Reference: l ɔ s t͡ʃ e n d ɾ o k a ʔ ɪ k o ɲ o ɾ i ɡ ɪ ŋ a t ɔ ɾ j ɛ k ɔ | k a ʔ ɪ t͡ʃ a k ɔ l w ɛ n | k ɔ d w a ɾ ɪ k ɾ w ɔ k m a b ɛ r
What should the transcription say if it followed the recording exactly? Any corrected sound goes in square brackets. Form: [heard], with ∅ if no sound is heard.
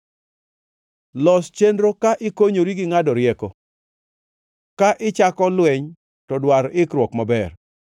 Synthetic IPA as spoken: l ɔ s t͡ʃ e n d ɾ o k a ʔ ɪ k o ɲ o ɾ i ɡ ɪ ŋ a [d] ɔ ɾ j ɛ k ɔ | k a ʔ ɪ t͡ʃ a k ɔ l w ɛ [ɲ] | [t] ɔ d w a ɾ ɪ k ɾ w ɔ k m a b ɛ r